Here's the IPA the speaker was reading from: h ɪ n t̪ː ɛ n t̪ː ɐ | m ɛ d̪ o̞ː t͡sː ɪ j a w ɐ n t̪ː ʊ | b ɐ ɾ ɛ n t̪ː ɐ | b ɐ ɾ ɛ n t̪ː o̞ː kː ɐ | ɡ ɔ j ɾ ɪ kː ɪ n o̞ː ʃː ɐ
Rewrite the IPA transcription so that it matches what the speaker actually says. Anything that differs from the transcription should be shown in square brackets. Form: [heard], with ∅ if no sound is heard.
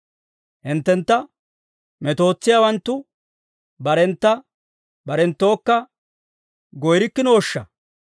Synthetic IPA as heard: h ɪ n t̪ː ɛ n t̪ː ɐ | m ɛ [t̪] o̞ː t͡sː ɪ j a w ɐ n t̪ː ʊ | b ɐ ɾ ɛ n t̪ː ɐ | b ɐ ɾ ɛ n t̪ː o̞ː kː ɐ | ɡ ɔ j ɾ ɪ kː ɪ n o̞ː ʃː ɐ